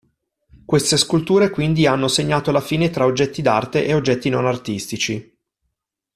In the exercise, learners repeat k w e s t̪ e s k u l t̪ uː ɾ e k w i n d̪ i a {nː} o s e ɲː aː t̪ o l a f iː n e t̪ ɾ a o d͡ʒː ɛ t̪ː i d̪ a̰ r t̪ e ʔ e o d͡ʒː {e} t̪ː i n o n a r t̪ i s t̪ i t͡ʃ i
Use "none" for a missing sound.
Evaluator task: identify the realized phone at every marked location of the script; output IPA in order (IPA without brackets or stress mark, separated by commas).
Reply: nː, ɛ